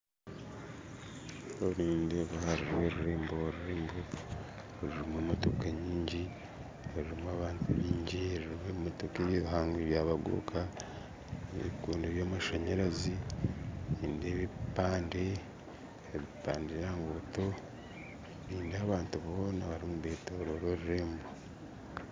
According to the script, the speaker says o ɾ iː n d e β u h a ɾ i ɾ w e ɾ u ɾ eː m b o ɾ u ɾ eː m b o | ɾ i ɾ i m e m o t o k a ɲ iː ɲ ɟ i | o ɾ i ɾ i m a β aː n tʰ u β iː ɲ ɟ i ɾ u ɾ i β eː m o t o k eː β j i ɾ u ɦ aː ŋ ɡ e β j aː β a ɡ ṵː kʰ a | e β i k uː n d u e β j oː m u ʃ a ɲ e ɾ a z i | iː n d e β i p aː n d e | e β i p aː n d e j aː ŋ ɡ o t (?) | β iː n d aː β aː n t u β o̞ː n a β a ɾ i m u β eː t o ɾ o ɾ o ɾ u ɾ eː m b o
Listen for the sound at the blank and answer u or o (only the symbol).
o